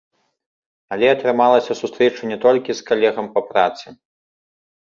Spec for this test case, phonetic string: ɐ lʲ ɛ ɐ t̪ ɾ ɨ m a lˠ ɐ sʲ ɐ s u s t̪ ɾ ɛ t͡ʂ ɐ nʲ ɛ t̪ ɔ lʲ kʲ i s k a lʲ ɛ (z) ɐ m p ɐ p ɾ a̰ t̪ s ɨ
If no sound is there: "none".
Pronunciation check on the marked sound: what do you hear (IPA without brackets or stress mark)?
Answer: ɣ